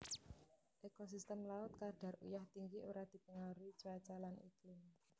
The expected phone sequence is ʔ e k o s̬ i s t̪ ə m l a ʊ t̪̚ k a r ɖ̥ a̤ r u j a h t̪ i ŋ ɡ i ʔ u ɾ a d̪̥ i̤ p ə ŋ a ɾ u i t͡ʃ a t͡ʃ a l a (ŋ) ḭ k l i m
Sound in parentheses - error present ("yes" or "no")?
yes